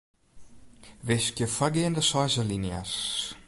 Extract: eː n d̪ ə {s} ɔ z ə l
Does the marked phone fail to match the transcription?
no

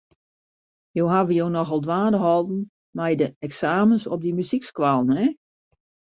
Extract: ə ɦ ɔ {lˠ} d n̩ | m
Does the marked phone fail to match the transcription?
no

